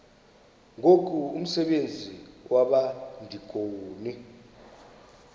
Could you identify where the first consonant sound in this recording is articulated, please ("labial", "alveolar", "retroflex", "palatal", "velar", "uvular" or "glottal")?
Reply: velar